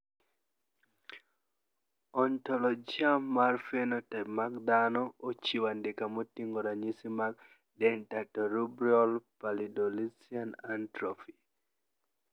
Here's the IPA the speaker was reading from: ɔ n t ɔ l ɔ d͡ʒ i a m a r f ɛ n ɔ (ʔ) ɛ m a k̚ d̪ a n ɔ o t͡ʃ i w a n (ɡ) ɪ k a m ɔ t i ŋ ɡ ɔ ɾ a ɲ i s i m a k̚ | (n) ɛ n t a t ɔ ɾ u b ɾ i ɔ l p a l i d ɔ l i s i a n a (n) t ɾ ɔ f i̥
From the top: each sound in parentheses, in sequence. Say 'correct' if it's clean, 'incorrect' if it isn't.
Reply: incorrect, incorrect, incorrect, correct

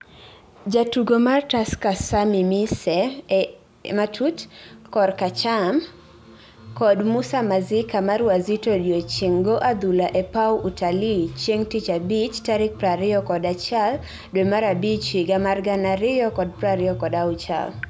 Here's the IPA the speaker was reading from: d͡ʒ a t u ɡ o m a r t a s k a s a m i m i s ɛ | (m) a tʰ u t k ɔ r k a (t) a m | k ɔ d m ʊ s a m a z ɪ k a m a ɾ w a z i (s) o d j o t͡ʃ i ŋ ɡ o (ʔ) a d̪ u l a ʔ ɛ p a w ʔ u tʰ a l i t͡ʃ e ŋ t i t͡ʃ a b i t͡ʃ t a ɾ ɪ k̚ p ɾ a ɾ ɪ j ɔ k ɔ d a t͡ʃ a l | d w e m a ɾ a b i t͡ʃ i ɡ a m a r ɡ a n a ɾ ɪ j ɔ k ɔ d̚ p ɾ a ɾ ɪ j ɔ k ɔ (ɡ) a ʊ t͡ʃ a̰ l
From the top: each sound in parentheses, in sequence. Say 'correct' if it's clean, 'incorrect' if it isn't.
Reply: correct, incorrect, incorrect, correct, incorrect

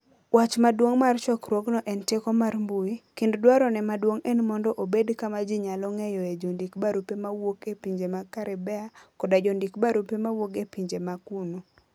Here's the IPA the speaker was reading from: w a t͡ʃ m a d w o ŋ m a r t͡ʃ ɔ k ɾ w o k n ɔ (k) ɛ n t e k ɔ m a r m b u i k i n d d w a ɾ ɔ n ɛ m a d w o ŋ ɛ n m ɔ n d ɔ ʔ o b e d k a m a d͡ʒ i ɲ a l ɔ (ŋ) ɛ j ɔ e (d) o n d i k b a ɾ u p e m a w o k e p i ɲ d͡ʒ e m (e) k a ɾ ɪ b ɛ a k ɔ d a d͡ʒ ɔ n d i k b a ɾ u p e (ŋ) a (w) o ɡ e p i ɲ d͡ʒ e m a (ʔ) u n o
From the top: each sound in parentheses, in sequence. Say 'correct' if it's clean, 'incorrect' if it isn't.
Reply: incorrect, correct, incorrect, incorrect, incorrect, correct, incorrect

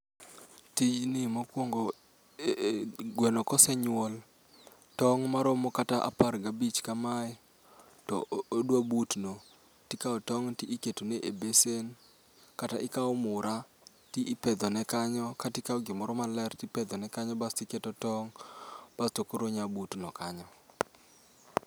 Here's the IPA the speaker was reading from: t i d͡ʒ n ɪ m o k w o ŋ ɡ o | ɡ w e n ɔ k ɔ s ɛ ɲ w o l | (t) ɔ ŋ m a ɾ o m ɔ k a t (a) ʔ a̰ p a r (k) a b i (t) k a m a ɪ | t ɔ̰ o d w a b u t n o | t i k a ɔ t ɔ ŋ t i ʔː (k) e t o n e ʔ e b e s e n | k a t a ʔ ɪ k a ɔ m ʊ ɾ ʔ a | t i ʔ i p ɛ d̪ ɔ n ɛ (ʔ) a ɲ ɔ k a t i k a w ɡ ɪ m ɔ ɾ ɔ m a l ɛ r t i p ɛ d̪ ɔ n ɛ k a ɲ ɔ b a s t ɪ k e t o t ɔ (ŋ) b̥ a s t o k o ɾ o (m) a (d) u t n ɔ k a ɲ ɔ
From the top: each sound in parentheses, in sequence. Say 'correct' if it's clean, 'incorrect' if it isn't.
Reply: correct, correct, incorrect, incorrect, correct, incorrect, correct, incorrect, incorrect

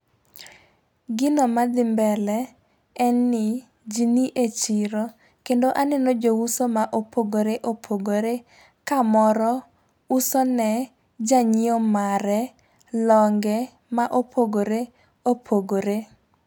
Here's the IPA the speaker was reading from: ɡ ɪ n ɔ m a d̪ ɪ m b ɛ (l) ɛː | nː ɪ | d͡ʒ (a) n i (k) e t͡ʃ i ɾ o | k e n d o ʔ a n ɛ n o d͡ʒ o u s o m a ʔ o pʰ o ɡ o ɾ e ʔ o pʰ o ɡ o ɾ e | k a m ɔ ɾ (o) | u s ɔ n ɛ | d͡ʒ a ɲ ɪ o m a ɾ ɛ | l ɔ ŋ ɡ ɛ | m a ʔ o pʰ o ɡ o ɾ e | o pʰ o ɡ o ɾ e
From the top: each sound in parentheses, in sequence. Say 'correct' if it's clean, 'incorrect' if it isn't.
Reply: correct, incorrect, incorrect, incorrect

